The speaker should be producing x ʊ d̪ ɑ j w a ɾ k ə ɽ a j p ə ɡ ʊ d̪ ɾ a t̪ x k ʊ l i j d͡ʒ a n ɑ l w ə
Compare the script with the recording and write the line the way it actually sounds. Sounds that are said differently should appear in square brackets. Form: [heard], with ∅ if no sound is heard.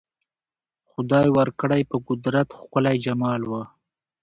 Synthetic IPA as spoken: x ʊ d̪ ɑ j w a ɾ k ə ɽ a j p ə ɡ ʊ d̪ ɾ a t̪ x k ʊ l [a] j d͡ʒ a [m] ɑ l w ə